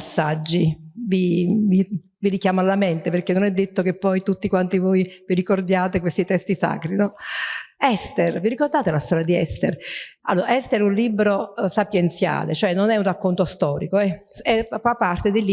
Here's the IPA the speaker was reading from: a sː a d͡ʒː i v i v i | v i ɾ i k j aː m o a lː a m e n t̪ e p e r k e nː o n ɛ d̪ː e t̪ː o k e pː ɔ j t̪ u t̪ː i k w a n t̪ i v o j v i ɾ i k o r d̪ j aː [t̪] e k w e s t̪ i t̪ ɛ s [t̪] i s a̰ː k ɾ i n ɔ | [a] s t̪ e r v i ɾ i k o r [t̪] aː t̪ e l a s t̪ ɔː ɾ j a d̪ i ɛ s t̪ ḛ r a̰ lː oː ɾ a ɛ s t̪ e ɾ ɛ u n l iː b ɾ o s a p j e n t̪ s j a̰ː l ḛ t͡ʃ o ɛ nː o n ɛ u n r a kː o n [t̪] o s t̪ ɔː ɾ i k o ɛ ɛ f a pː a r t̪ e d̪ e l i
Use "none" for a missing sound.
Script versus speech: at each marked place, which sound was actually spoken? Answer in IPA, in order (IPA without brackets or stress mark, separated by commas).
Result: t̪, t̪, ɛ, d̪, t̪